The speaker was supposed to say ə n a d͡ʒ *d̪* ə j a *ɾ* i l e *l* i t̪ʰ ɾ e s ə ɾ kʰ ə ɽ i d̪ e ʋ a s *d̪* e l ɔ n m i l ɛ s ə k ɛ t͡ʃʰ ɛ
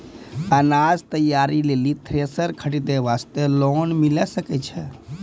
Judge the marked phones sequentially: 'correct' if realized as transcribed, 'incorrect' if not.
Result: incorrect: t̪, correct, correct, incorrect: t̪

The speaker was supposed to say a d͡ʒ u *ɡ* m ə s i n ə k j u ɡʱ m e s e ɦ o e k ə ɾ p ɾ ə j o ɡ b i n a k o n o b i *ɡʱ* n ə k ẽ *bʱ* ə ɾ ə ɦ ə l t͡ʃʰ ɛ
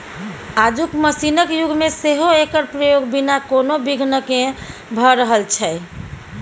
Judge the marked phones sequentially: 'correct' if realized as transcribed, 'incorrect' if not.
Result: incorrect: k, correct, correct

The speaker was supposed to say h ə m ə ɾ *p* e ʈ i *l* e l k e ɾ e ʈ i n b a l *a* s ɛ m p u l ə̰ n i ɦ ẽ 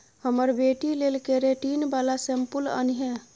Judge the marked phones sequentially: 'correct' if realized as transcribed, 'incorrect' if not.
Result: incorrect: b, correct, correct

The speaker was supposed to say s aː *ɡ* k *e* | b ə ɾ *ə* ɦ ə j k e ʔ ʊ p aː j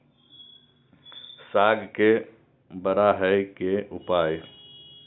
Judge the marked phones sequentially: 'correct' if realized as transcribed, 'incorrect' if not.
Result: correct, correct, incorrect: a

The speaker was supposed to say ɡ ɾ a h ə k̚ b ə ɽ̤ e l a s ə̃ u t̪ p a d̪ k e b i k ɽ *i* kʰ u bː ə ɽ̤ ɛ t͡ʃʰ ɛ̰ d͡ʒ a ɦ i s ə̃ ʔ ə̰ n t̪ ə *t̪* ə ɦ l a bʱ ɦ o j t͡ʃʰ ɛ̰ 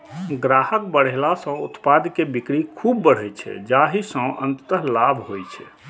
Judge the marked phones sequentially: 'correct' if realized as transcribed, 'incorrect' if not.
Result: correct, correct

